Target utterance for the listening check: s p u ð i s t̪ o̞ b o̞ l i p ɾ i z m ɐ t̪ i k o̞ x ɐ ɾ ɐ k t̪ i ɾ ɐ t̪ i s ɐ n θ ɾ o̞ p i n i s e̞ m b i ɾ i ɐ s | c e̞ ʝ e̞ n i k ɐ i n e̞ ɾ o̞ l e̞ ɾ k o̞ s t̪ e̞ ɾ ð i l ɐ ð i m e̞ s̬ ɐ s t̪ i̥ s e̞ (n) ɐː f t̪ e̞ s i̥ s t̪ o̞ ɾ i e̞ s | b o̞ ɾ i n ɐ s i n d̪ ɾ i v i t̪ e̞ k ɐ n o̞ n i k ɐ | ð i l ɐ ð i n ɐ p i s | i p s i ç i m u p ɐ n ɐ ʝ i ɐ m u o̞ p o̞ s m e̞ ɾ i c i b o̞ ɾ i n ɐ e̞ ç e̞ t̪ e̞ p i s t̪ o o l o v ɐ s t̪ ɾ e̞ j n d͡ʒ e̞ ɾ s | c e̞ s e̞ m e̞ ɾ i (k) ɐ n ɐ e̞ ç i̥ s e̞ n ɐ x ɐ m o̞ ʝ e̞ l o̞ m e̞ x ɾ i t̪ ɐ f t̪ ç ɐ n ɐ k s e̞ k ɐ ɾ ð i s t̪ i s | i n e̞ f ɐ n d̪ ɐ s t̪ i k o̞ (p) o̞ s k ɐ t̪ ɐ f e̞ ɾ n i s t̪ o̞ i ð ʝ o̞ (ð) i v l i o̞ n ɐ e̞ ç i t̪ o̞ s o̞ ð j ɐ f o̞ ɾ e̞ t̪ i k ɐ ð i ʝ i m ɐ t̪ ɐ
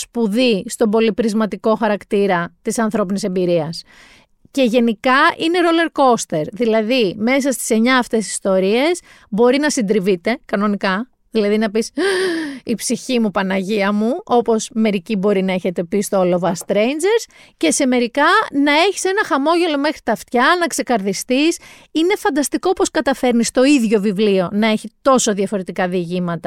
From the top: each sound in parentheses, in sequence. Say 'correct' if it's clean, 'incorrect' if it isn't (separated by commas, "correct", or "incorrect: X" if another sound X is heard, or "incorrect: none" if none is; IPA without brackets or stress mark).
incorrect: ɲ, correct, correct, incorrect: v